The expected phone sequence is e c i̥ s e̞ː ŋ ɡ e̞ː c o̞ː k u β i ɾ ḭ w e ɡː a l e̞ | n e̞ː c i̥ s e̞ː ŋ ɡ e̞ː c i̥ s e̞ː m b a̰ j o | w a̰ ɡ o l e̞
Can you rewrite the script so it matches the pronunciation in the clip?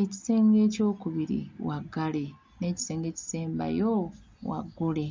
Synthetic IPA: e c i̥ s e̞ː ŋ ɡ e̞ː c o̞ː k u β i ɾ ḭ w a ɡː a l e̞ | n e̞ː c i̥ s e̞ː ŋ ɡ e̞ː c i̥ s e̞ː m b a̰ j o | w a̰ ɡ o l e̞